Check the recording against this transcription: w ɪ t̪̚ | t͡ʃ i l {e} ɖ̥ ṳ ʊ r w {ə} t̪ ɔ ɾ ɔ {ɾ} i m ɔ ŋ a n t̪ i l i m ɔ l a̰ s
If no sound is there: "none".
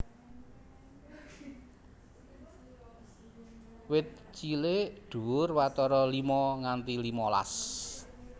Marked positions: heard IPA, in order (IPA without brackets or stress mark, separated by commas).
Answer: e, a, l